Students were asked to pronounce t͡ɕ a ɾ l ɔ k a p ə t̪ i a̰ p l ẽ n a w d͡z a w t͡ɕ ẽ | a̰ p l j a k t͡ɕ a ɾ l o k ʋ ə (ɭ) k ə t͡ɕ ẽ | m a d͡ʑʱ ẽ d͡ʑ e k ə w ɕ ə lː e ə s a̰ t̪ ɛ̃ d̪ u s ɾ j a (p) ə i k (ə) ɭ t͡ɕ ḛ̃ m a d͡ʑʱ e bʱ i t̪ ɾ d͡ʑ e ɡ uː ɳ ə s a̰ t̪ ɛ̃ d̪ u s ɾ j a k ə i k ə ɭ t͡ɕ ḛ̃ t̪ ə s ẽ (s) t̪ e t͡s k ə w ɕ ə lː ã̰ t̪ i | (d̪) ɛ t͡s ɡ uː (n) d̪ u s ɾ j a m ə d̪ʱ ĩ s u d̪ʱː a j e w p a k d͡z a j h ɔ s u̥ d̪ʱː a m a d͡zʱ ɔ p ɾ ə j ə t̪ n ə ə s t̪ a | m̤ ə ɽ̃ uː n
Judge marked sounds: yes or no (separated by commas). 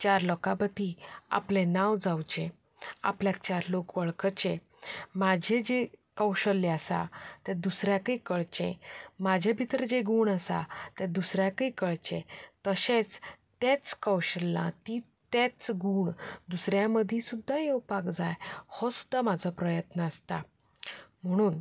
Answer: yes, no, yes, no, no, no